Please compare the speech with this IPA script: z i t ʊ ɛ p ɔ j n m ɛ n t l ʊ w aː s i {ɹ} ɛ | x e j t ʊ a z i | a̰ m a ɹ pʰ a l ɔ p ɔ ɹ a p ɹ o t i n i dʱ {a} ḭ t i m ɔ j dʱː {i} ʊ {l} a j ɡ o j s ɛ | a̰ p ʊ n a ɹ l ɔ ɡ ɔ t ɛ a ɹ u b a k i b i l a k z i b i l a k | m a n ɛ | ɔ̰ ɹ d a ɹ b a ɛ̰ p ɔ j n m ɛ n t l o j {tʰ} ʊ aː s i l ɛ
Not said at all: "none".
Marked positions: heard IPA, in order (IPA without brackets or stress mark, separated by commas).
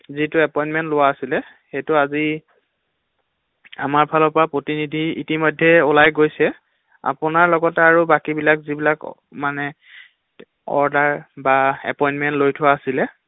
l, i, ɛ, l, tʰ